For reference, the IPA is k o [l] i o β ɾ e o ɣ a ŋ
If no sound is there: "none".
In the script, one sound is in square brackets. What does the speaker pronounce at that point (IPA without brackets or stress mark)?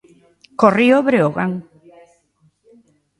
r